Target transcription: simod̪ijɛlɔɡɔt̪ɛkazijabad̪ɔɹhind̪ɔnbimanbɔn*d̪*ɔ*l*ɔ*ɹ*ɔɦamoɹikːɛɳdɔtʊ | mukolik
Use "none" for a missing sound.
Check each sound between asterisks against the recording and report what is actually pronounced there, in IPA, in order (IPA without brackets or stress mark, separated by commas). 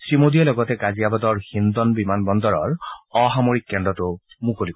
d̪, ɹ, ɹ